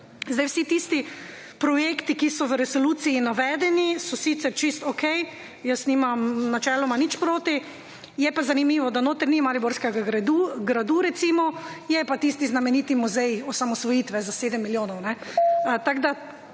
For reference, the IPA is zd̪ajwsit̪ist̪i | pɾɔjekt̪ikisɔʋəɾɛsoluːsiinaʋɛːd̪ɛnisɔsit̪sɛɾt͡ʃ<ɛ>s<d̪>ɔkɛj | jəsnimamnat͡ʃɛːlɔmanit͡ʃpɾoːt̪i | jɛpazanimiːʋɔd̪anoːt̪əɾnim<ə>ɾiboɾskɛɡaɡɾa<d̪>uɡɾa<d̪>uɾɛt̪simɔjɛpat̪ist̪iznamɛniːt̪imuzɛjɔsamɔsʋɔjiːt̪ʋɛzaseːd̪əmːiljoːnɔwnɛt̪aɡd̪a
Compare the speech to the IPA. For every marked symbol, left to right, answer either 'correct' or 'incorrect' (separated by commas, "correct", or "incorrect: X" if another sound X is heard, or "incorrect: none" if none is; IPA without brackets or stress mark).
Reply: incorrect: i, incorrect: t̪, incorrect: a, correct, correct